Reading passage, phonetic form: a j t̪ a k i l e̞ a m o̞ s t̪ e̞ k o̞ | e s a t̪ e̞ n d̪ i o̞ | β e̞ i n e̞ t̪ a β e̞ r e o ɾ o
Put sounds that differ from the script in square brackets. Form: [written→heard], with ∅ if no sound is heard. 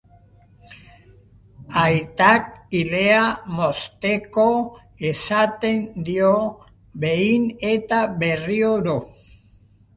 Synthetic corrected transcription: a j t̪ a k i l e̞ a m o̞ s t̪ e̞ k o̞ | e s a t̪ e̞ n d̪ i o̞ | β e̞ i n e̞ t̪ a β e̞ r [e→i] o ɾ o